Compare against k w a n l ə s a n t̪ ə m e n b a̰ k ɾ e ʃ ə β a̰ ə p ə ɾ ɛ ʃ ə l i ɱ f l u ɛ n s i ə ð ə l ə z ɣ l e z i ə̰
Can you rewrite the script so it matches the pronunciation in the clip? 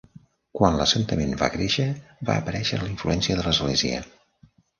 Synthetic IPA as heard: k w a n l ə s ə n t̪ ə m e n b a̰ k ɾ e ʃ ə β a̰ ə p ə ɾ ɛ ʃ ə l i ɱ f l u ɛ n s i ə ð ə l ə z ɣ l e z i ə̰